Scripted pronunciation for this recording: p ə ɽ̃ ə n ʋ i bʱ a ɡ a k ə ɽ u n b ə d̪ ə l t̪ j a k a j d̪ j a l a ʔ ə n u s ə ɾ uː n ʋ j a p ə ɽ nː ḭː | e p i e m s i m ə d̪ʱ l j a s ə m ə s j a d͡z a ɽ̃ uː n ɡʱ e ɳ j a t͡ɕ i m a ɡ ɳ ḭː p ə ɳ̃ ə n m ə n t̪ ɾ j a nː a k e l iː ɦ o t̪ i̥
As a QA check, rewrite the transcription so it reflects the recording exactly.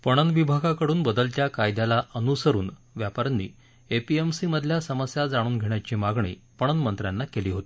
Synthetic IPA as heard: p ə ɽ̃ ə n ʋ i bʱ a ɡ a k ə ɽ uː n b ə d̪ ə l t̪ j a k a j d̪ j a l a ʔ ə n u s ə ɾ uː n ʋ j a p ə ɾ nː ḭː | e p i e m s i m ə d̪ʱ l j a s ə m ə s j a d͡z a ɽ̃ uː n ɡʱ e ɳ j a t͡ɕ i m a ɡ ɳ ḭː p ə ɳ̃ ə n m ə n t̪ ɾ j a nː a k e l iː ɦ o t̪ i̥